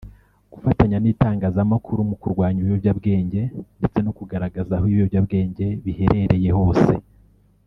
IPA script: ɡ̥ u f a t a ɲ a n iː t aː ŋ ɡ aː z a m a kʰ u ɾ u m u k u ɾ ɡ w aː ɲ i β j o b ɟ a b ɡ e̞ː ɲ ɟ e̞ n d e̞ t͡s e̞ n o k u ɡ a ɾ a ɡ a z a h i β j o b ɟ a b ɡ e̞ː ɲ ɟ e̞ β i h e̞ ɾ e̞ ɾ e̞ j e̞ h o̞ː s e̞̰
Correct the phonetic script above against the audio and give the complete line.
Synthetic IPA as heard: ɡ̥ u f a t a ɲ a n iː t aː ŋ ɡ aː z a m a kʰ u ɾ u m u k u ɾ ɡ w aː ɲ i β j o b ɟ a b ɡ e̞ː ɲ ɟ e̞ n d e̞ t͡s e̞ n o k u ɡ a ɾ a ɡ a z a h i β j o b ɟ a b ɡ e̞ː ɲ ɟ e̞ β i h e̞ ɾ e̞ ɾ e̞ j e̞ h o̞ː s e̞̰